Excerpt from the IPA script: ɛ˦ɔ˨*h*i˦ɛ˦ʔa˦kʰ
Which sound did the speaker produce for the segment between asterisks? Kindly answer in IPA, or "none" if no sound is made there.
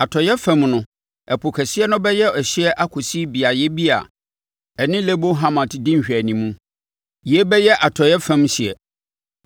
ɕ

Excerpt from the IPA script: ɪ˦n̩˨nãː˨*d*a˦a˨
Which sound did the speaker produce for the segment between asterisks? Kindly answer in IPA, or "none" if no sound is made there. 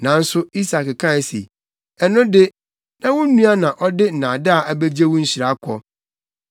d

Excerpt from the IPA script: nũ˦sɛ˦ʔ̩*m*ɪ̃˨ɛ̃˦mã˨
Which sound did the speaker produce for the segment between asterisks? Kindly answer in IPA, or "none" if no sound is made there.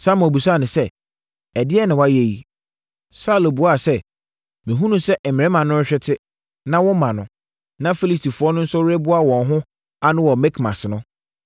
m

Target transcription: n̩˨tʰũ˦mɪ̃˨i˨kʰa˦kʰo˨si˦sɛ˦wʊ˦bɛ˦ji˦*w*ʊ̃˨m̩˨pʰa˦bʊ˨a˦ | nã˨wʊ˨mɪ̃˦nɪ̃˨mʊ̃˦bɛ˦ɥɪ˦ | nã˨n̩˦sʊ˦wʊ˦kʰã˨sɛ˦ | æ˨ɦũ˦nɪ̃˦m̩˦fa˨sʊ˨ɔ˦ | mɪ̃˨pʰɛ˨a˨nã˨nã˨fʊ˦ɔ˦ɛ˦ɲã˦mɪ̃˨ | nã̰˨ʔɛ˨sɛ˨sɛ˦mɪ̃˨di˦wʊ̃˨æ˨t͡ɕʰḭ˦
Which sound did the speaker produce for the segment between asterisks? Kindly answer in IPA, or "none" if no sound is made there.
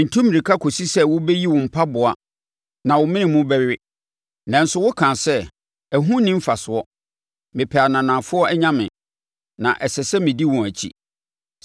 w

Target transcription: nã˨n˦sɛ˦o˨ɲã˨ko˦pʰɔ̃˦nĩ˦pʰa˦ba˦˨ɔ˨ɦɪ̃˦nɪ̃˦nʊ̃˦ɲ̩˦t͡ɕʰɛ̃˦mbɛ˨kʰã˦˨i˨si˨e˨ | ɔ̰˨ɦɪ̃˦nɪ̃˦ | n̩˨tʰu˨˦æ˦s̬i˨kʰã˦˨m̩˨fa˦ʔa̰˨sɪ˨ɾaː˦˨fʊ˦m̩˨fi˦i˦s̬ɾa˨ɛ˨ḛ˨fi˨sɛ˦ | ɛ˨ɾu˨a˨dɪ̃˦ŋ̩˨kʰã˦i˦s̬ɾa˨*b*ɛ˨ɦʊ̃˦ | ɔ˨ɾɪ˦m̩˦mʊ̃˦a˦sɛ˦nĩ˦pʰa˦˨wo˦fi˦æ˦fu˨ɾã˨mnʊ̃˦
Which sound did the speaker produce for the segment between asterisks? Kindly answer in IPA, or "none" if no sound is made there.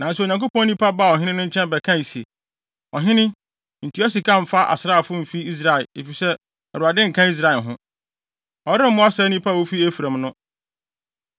none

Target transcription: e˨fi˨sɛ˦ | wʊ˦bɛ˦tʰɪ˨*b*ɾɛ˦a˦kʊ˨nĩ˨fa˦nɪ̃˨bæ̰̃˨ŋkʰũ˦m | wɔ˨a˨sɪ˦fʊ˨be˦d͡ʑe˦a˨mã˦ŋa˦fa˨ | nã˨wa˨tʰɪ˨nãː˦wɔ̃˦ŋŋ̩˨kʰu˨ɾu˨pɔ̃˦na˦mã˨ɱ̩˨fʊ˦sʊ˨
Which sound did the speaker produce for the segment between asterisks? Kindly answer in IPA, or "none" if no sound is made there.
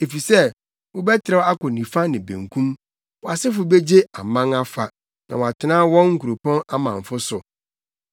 none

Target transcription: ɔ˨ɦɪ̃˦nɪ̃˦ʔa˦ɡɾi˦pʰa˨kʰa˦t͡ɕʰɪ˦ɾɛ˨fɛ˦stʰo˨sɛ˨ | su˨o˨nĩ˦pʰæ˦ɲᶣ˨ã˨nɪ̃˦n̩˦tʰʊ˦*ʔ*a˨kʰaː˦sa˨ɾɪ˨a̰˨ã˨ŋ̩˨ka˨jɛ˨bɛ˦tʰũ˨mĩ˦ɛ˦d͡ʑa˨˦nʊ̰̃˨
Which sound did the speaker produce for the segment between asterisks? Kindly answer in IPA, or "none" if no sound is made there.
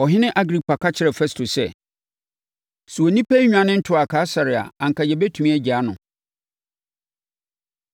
none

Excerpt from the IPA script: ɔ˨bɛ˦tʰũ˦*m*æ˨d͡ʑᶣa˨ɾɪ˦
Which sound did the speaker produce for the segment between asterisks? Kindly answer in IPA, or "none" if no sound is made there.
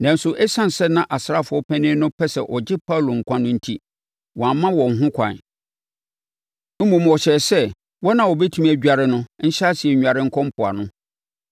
m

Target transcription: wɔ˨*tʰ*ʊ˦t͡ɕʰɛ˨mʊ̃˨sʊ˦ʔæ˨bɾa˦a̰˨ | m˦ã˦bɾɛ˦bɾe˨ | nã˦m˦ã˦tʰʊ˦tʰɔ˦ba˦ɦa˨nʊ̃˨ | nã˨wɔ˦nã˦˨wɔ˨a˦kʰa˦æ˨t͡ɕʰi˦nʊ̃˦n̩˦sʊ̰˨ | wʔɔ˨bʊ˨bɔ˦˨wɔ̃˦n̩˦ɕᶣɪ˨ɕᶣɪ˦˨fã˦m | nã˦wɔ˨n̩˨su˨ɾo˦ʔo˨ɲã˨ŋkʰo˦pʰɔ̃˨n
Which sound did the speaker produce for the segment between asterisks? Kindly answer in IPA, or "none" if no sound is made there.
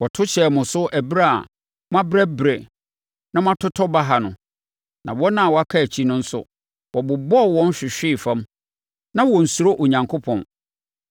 tʰ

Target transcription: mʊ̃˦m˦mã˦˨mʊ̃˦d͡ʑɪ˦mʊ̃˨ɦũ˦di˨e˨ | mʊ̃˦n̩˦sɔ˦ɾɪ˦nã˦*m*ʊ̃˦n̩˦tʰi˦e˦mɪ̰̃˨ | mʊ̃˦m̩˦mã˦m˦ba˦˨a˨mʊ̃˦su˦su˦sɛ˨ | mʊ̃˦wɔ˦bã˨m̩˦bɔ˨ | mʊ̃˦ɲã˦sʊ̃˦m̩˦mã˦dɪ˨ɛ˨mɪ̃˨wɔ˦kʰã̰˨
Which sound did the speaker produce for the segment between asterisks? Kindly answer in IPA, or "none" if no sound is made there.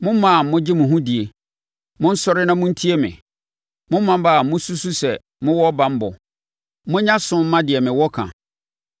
m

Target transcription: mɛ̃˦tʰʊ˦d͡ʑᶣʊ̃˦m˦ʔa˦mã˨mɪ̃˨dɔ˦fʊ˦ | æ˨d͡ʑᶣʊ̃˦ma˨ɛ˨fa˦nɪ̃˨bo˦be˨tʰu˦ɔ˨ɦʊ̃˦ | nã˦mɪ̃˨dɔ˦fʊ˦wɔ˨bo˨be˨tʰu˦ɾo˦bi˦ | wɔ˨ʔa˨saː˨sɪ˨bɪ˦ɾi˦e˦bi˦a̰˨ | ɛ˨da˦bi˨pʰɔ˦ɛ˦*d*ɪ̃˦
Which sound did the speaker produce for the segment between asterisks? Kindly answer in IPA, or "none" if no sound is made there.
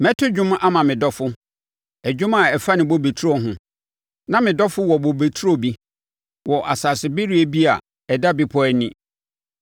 n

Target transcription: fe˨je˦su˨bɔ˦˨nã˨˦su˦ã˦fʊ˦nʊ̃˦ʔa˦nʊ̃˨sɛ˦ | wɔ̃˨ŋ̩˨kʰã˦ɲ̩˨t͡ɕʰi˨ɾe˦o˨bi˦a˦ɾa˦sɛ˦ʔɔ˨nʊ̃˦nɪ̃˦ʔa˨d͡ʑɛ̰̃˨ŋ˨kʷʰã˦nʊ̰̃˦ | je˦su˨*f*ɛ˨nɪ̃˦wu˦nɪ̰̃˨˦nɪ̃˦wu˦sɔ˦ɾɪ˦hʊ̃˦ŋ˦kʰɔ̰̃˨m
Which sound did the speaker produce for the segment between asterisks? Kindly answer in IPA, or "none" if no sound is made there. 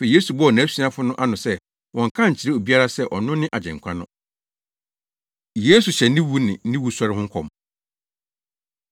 ɕ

